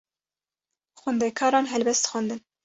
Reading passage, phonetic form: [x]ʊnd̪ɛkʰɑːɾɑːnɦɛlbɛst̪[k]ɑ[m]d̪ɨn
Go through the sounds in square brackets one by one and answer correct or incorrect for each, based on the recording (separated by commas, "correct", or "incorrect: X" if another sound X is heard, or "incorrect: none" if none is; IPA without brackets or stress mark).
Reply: correct, incorrect: x, incorrect: n